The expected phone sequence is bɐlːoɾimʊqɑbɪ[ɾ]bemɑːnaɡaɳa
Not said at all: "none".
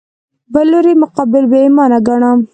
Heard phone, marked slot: l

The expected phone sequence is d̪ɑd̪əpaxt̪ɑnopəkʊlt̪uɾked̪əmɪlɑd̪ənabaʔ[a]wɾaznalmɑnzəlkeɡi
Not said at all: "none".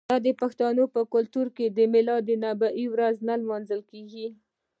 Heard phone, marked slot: i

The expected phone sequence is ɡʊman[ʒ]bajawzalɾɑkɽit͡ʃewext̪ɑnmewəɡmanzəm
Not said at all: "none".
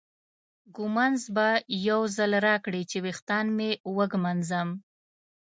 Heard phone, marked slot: z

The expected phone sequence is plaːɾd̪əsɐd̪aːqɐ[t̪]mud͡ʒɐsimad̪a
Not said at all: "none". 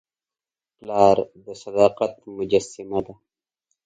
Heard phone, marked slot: t̪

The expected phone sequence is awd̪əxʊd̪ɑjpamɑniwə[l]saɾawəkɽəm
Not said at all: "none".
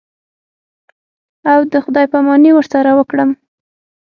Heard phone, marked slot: ɾ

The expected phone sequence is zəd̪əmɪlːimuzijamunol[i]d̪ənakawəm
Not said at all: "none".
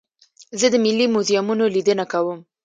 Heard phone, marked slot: i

